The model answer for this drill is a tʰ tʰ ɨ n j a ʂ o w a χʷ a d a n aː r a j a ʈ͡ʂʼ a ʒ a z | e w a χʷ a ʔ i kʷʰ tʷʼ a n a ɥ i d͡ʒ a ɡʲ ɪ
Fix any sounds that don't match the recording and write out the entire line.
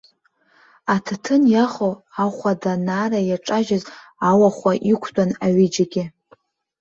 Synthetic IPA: a tʰ tʰ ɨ n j a χ o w a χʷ a d a n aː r a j a ʈ͡ʂʼ a ʒ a z | a w a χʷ a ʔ i kʷʰ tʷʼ a n a ɥ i d͡ʒ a ɡʲ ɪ